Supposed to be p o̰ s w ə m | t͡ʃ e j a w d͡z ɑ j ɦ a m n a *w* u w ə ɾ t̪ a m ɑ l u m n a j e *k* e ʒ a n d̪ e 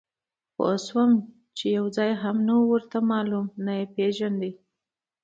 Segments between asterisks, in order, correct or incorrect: correct, incorrect

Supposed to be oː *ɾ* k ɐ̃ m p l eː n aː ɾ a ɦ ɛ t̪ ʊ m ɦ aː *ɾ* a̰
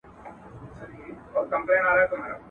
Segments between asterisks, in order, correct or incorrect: correct, correct

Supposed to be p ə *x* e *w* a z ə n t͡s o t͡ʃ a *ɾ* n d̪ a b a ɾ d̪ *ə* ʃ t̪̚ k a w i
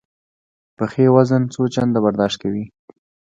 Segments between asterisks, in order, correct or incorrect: correct, correct, incorrect, incorrect

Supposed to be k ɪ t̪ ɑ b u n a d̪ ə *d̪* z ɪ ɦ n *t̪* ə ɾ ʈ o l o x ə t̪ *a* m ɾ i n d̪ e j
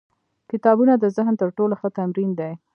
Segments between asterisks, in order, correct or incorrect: incorrect, correct, correct

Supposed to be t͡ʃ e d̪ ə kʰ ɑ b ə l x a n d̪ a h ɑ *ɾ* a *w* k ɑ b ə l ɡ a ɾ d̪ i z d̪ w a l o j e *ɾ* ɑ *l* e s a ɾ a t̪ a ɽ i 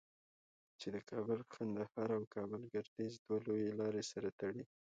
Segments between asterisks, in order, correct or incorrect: correct, correct, incorrect, incorrect

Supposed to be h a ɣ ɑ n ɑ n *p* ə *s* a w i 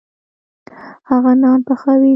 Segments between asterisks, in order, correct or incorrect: correct, incorrect

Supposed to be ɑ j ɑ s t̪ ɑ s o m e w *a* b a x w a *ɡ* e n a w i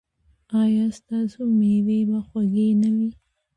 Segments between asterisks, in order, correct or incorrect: incorrect, correct

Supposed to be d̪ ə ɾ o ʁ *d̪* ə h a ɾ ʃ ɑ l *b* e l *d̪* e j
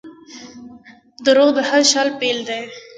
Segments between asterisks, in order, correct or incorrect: correct, incorrect, correct

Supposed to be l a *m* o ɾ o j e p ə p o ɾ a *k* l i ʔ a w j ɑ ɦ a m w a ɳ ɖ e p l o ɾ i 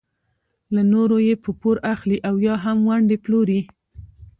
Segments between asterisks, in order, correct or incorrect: incorrect, incorrect

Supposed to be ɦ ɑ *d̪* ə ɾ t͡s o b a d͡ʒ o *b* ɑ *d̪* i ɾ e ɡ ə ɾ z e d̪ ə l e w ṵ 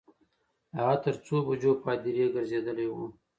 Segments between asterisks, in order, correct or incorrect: incorrect, incorrect, correct

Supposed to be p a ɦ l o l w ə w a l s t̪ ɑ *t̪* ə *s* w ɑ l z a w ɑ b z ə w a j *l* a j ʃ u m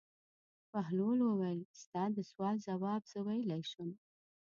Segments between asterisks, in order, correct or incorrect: incorrect, correct, correct

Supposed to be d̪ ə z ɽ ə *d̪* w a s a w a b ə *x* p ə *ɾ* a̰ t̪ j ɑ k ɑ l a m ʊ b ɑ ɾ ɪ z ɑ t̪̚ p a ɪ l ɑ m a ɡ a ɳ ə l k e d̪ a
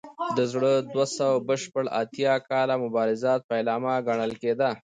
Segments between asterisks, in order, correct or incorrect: correct, incorrect, incorrect

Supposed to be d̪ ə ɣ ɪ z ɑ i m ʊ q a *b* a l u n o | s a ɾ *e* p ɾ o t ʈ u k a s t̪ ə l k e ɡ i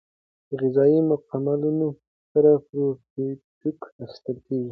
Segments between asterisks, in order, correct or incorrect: incorrect, incorrect

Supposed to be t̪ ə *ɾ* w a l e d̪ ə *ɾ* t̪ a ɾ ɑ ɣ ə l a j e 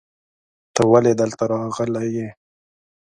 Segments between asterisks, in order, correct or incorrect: incorrect, incorrect

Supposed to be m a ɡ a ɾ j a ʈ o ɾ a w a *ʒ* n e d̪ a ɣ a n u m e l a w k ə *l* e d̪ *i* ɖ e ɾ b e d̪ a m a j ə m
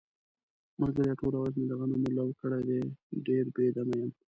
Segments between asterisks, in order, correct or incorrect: incorrect, incorrect, incorrect

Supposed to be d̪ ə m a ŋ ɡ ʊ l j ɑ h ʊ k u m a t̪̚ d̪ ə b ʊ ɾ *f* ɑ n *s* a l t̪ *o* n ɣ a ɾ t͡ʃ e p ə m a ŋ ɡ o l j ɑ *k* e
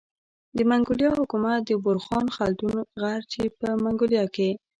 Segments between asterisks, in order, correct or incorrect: incorrect, incorrect, incorrect, correct

